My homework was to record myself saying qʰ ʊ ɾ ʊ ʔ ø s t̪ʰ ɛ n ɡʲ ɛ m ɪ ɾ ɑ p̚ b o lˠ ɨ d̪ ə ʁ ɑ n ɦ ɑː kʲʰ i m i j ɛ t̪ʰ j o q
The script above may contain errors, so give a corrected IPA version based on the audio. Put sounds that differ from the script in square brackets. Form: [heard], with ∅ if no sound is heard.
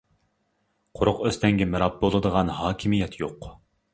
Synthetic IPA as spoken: qʰ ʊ ɾ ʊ [q] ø s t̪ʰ ɛ [ŋ] ɡʲ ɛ m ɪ ɾ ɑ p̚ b o lˠ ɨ d̪ ə ʁ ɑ n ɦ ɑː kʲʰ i m i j ɛ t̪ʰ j o q

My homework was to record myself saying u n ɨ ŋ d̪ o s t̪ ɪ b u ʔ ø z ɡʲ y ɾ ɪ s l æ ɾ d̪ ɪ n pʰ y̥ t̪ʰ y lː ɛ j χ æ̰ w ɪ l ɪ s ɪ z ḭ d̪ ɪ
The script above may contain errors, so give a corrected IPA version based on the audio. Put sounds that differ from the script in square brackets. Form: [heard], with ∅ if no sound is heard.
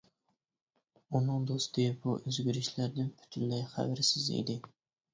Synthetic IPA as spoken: u n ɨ ŋ d̪ o s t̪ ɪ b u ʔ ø z ɡʲ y ɾ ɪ [ʃ] l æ ɾ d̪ ɪ n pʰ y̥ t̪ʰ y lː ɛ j χ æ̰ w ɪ [ɾ] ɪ s ɪ z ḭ d̪ ɪ

